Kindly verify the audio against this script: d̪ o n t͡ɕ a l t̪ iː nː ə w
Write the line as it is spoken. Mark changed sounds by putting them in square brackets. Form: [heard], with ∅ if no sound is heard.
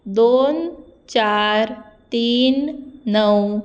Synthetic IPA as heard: d̪ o n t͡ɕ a [ɾ] t̪ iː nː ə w